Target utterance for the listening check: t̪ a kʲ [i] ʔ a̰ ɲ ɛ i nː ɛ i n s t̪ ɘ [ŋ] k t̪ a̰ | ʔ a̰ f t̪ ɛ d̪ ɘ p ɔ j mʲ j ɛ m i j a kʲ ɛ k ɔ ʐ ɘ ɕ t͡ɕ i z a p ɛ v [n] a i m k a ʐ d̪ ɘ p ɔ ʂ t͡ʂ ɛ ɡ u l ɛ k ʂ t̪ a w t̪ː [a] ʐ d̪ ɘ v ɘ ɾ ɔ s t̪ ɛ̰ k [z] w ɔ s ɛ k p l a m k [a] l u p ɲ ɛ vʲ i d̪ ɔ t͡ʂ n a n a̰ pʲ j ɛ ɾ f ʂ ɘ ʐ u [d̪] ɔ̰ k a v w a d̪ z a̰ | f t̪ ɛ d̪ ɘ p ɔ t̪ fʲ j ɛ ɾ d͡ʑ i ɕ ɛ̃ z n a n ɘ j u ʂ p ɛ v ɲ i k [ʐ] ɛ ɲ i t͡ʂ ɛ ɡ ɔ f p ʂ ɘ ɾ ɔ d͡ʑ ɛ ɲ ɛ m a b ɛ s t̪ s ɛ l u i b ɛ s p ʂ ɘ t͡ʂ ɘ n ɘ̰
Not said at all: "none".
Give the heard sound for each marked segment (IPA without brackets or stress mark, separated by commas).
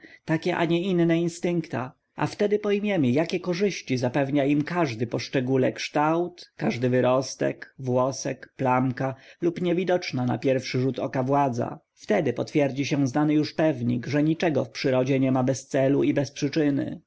ɛ, ŋ, ɲ, a, v, a, t̪, ʐ